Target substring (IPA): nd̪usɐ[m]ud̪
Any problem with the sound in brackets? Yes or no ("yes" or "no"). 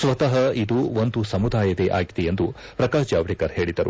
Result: no